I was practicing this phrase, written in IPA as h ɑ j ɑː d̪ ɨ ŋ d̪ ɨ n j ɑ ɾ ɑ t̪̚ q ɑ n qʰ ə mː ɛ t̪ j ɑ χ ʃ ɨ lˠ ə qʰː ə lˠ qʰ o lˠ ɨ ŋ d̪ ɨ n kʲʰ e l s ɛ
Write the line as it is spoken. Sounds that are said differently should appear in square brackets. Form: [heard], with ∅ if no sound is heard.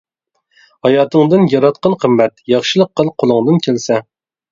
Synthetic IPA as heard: h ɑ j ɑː [t̪] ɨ ŋ d̪ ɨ n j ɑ ɾ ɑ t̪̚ q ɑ n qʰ ə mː ɛ t̪ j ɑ χ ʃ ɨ lˠ ə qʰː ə lˠ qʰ o lˠ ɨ ŋ d̪ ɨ n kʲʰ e l s ɛ